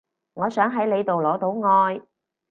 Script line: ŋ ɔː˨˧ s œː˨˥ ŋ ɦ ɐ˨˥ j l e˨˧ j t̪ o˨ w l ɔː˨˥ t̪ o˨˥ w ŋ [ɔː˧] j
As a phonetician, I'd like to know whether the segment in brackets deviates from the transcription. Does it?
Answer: no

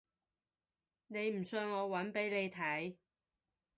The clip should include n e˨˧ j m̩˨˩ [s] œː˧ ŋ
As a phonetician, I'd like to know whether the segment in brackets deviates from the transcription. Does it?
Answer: no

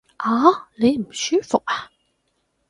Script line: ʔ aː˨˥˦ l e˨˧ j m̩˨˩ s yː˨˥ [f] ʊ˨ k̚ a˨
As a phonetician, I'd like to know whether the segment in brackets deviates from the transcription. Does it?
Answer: no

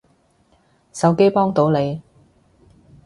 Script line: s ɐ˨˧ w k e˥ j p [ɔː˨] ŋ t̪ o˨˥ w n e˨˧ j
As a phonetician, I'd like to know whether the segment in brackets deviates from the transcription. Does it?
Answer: yes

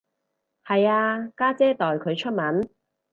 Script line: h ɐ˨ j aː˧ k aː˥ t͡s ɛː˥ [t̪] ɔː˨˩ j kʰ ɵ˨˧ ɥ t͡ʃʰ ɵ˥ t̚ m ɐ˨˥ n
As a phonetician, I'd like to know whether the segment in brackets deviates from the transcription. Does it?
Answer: no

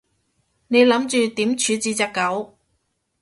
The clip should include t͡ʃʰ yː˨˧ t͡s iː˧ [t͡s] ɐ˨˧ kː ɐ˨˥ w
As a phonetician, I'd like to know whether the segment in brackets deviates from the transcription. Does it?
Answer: no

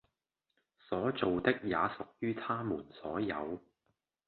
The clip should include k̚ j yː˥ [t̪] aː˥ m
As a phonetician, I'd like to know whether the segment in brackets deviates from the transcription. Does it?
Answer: yes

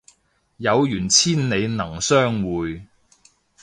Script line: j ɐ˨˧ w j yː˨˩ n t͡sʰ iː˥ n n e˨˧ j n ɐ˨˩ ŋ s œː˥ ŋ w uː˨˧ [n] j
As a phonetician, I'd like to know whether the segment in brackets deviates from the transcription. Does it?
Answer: yes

